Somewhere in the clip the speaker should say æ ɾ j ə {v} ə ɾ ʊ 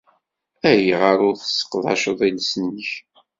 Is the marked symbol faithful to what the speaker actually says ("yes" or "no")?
no